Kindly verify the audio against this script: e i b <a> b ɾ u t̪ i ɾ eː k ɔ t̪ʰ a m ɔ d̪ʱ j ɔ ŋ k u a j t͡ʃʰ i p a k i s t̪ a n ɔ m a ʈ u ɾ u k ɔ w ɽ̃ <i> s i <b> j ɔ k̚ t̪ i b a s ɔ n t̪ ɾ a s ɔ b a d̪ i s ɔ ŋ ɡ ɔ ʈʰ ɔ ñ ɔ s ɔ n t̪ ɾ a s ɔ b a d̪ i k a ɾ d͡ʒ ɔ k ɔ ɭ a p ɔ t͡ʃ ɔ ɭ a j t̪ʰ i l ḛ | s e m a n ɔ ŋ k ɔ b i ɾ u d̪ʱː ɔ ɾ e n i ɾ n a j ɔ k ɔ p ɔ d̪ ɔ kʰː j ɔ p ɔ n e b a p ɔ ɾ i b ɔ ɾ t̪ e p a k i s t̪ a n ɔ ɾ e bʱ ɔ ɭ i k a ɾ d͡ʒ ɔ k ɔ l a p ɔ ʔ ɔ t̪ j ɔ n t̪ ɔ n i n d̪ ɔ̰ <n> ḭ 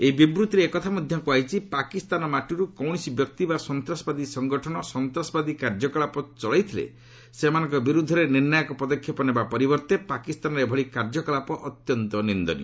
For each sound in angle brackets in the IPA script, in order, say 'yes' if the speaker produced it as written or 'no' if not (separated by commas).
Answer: no, yes, yes, yes